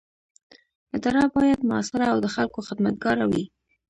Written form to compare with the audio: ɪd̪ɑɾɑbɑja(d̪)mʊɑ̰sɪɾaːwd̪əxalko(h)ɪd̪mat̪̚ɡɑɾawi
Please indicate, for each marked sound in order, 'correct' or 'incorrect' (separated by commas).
correct, incorrect